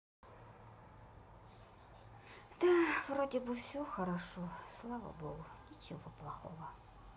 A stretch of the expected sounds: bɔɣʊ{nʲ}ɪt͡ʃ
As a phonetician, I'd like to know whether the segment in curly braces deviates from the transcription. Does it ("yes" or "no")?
no